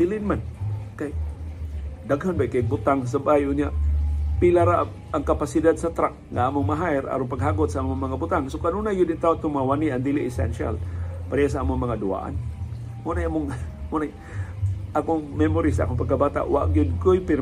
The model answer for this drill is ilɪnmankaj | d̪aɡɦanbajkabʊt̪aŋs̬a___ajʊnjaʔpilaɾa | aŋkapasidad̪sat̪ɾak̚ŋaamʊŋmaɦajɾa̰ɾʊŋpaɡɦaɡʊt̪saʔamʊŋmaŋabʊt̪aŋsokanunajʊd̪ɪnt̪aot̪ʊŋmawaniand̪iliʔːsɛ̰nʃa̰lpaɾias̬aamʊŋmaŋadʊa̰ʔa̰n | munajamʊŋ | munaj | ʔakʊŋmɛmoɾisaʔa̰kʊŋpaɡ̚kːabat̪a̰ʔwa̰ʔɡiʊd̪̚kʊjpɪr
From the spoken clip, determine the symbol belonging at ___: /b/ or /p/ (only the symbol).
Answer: b